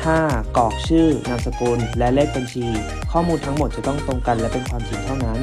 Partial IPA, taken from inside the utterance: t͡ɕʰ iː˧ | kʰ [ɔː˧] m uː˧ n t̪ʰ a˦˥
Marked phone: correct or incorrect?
incorrect